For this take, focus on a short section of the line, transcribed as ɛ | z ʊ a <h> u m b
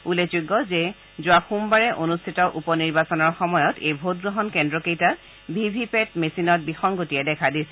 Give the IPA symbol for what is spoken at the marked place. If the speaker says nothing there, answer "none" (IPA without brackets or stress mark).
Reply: x